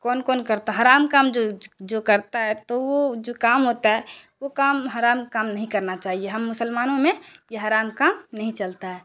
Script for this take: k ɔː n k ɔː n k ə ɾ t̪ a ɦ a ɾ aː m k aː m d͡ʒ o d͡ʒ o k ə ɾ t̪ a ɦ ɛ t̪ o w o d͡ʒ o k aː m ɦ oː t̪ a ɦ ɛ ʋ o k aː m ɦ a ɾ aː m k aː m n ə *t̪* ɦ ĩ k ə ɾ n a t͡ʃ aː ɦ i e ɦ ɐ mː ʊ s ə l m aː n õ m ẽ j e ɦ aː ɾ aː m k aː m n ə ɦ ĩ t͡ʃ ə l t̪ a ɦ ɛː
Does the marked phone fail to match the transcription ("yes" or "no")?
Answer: yes